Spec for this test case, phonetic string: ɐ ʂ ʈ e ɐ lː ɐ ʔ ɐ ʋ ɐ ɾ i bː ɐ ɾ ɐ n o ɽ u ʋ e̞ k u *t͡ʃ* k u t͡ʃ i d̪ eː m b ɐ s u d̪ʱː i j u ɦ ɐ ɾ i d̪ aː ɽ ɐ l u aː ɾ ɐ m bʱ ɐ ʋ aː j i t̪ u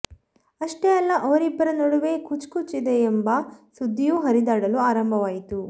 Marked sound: correct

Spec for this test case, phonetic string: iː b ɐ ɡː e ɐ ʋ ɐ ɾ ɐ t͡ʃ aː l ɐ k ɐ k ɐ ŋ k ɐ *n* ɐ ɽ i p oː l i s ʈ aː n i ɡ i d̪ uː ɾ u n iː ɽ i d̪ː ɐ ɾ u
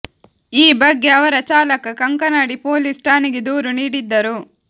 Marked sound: correct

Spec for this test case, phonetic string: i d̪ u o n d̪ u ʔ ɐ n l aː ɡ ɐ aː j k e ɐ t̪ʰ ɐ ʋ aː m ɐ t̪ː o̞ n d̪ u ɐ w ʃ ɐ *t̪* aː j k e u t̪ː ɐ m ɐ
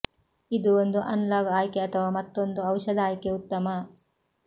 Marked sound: incorrect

